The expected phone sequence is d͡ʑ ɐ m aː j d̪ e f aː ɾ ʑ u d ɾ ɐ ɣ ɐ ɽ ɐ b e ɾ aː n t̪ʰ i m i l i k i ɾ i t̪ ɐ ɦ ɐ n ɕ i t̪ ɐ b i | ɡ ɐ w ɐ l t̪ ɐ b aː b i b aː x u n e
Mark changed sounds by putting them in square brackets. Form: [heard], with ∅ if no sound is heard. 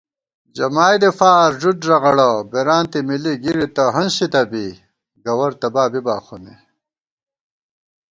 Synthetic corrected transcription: d͡ʑ ɐ m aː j d̪ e f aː ɾ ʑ u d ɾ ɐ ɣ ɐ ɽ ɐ b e ɾ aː n [t̪] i m i l i [ɡ] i ɾ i t̪ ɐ ɦ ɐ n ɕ i t̪ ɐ b i | ɡ ɐ w ɐ [ɾ] t̪ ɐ b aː b i b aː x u n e

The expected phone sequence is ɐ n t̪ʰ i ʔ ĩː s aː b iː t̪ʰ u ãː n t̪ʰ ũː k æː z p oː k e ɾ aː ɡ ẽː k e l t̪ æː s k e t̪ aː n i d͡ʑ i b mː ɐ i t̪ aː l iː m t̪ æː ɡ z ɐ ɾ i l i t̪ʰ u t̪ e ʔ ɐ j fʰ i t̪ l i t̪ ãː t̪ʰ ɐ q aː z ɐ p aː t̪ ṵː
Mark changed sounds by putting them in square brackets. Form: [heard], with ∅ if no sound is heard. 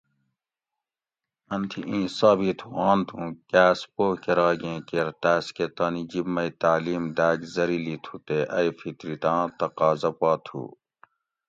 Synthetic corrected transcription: ɐ n t̪ʰ i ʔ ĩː s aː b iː t̪ʰ u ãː n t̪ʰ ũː k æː [s] p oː k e ɾ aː ɡ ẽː k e [ɾ] t̪ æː s k e t̪ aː n i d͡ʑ i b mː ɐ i t̪ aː l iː m [d̪] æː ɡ z ɐ ɾ i l i t̪ʰ u t̪ e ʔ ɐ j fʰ i t̪ [ɾ] i t̪ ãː [t̪] ɐ q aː z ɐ p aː [t̪ʰ] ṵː

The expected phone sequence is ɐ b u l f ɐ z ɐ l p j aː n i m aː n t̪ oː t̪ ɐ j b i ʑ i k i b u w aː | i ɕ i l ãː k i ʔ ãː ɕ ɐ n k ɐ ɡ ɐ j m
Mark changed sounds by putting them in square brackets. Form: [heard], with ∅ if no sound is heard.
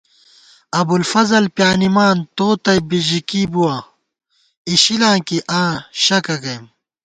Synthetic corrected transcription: ɐ b u l f ɐ z ɐ l p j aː n i m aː n t̪ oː t̪ ɐ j b i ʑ i k i b u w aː | i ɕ i l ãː k i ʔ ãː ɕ ɐ [∅] k ɐ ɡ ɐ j m

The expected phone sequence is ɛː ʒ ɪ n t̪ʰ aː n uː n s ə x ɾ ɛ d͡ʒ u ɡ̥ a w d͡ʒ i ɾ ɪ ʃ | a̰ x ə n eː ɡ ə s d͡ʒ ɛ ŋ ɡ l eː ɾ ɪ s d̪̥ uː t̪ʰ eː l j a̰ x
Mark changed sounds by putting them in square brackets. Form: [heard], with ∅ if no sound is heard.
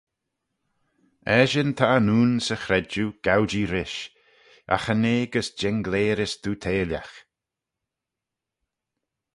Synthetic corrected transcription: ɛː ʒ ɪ n t̪ʰ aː n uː n s ə x ɾ ɛ d͡ʒ u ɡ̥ a w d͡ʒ i ɾ ɪ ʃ | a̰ x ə n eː ɡ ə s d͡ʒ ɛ ŋ ɡ l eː ɾ ɪ s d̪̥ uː t̪ʰ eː l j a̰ x

